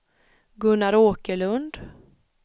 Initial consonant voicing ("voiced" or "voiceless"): voiced